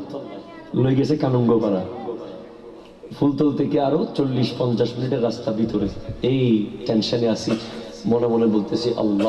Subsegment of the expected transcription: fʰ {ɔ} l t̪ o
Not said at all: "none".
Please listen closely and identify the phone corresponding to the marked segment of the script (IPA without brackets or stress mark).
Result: u